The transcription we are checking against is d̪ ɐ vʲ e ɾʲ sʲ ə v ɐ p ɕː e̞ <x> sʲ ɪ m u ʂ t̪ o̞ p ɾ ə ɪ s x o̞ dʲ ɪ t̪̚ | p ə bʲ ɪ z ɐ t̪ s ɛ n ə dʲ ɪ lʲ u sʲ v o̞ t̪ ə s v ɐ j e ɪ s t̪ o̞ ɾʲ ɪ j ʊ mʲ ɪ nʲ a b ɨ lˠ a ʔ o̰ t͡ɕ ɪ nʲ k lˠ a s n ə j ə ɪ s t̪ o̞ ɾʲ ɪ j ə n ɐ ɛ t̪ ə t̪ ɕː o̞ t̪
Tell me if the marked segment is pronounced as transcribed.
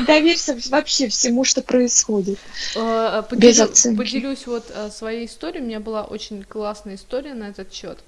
no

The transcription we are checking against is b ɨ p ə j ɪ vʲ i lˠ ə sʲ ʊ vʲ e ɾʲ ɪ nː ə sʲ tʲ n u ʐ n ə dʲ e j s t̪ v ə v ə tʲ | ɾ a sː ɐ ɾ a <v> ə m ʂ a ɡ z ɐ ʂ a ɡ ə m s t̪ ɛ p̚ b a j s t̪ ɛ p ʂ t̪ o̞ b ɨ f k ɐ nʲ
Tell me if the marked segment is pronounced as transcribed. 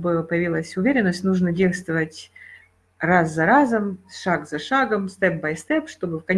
no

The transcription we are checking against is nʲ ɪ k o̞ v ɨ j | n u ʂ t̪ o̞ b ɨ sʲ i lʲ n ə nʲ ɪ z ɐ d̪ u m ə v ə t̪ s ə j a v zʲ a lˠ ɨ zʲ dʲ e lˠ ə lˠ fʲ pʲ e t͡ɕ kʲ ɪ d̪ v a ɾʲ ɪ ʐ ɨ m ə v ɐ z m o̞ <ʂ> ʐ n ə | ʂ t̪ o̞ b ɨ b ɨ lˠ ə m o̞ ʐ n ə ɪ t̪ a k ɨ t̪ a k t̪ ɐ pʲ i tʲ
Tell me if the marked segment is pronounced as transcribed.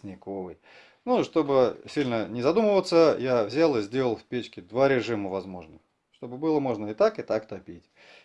no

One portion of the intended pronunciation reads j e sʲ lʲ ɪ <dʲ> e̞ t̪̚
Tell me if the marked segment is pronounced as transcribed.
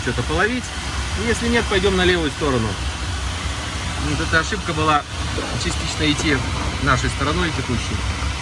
no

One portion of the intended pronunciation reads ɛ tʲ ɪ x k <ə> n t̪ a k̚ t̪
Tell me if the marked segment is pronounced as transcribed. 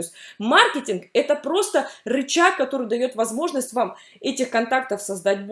no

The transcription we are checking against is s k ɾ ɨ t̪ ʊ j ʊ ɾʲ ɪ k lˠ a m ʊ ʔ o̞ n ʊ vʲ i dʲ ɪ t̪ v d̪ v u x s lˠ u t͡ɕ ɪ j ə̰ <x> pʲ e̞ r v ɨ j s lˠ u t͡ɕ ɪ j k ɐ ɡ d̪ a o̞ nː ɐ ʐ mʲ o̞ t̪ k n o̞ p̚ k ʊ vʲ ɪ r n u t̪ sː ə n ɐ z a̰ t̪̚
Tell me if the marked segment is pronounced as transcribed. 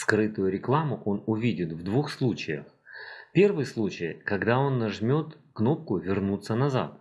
yes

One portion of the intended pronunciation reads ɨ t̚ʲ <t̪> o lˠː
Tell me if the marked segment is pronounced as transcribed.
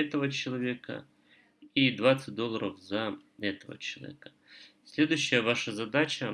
no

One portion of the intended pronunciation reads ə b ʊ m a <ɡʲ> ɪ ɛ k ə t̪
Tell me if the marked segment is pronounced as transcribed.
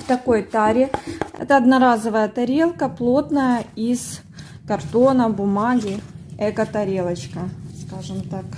yes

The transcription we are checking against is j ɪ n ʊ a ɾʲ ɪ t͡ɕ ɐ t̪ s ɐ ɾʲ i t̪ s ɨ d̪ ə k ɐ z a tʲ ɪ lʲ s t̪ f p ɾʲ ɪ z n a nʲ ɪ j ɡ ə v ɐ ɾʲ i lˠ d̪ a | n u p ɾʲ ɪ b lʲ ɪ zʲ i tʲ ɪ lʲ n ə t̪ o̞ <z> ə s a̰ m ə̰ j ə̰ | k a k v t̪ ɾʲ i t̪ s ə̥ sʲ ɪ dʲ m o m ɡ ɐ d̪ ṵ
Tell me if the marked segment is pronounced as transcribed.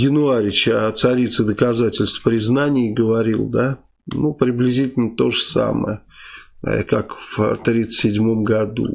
no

